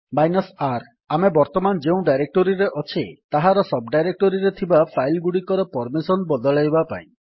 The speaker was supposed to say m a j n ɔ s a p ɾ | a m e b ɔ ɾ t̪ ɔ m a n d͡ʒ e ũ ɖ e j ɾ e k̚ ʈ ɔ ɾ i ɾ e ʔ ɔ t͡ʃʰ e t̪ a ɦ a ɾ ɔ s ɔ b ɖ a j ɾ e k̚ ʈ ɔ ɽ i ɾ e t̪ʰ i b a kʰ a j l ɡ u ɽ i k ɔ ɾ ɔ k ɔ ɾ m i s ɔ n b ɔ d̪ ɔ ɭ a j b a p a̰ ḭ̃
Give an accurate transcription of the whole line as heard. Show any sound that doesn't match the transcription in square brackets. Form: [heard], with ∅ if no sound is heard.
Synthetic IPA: m a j n ɔ s a [∅] ɾ | a m e b ɔ ɾ t̪ ɔ m a n d͡ʒ e ũ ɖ [a] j ɾ e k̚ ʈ ɔ ɾ i ɾ e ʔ ɔ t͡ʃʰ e t̪ a ɦ a ɾ ɔ s ɔ b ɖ a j ɾ e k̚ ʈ ɔ [ɾ] i ɾ e t̪ʰ i b a [pʰ] a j l ɡ u ɽ i k ɔ ɾ ɔ [p] ɔ ɾ m i s ɔ n b ɔ d̪ ɔ ɭ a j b a p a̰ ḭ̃